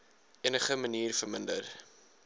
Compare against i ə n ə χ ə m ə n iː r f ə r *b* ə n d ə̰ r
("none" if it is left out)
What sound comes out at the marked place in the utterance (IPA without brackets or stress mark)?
m